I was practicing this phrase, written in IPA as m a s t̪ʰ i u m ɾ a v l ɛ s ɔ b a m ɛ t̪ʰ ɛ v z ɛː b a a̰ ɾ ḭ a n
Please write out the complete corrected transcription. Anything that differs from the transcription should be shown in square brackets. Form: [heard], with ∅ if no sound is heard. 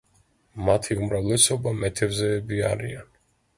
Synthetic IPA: m a [∅] t̪ʰ i u m ɾ a v l ɛ s ɔ b a m ɛ t̪ʰ ɛ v z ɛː b [i] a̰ ɾ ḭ a n